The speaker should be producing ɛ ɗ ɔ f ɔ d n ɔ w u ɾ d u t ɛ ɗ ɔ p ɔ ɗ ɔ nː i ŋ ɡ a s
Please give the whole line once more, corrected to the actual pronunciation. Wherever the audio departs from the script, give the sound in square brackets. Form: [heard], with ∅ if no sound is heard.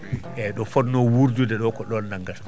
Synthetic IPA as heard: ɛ ɗ ɔ f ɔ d n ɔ w u ɾ [d͡ʒ] u [d] ɛ ɗ ɔ [k] ɔ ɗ ɔ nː [a] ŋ ɡ a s